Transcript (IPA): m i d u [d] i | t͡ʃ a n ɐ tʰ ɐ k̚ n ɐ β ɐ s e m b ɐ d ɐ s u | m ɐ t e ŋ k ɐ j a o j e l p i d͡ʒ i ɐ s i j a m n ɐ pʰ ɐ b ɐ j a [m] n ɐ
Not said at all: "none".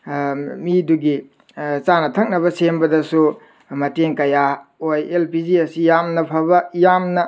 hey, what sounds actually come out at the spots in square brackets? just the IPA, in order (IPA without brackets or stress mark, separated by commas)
ɡ, m